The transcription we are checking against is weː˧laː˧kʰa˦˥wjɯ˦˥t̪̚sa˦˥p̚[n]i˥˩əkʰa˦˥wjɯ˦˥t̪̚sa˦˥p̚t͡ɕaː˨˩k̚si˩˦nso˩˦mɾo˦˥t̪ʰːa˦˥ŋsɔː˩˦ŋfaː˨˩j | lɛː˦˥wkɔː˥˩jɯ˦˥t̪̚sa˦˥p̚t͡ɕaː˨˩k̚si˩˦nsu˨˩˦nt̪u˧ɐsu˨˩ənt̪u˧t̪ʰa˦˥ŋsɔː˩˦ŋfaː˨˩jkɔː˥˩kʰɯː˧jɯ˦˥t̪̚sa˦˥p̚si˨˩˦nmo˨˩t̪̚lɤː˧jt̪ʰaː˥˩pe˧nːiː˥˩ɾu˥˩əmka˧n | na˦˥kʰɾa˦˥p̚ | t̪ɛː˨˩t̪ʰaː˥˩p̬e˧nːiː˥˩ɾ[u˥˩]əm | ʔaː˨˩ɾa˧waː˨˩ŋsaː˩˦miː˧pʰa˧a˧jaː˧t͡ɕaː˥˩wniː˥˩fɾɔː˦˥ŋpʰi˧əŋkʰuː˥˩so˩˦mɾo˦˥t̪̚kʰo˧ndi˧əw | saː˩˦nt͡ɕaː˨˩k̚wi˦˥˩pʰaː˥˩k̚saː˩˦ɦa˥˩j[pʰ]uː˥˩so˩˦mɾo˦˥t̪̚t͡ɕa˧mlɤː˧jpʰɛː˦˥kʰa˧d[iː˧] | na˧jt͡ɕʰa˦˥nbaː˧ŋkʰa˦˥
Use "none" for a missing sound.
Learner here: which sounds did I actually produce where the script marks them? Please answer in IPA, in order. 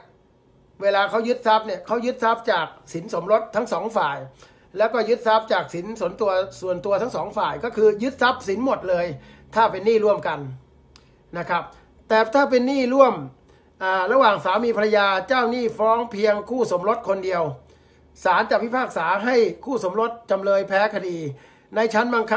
n, u˥˩, kʰ, iː˧

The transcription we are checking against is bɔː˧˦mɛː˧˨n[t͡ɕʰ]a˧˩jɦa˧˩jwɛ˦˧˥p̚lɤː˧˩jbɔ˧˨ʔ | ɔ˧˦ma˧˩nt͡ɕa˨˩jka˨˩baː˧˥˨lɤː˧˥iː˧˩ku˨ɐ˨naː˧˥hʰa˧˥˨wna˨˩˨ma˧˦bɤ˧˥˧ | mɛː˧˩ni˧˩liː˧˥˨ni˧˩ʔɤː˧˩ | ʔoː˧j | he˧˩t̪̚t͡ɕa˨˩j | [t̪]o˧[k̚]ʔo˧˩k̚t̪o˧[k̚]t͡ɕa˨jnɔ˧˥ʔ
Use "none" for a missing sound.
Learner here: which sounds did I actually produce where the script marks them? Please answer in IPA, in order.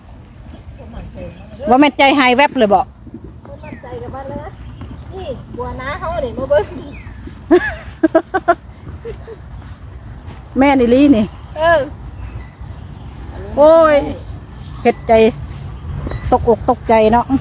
t͡ɕ, t̪, k̚, k̚

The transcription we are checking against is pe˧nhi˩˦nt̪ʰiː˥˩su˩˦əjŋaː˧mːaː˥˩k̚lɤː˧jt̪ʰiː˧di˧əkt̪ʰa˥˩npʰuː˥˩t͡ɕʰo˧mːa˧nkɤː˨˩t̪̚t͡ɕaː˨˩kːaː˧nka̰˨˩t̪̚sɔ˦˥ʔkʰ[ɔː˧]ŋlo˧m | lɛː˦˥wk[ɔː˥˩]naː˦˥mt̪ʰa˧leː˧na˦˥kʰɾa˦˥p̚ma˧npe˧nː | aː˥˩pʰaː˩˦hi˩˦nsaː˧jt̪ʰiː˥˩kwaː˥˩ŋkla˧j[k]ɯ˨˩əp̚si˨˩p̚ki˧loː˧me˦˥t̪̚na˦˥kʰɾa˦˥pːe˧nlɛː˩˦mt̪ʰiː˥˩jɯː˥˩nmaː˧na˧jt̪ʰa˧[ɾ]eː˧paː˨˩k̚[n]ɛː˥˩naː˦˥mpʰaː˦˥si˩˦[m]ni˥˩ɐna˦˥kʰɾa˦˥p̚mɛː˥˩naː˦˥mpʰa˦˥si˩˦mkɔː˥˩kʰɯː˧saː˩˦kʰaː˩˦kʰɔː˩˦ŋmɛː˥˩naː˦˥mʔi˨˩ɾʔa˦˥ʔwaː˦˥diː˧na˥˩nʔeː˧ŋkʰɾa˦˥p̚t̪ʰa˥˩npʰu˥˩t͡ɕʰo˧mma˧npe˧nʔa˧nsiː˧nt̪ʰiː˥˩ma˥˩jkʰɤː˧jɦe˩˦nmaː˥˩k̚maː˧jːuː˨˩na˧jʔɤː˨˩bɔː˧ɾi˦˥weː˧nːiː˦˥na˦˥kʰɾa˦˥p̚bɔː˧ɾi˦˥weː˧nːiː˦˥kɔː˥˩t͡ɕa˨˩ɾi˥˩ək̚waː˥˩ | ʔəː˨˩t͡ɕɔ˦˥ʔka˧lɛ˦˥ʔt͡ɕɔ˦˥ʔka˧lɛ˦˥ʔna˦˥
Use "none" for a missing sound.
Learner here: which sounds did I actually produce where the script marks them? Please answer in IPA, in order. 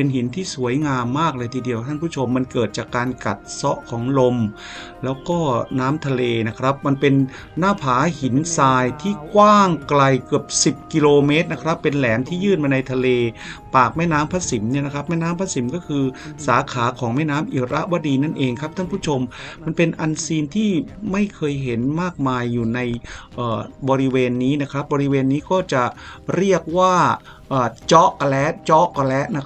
ɔː˩˦, ɔː˥˩, k, l, m, m

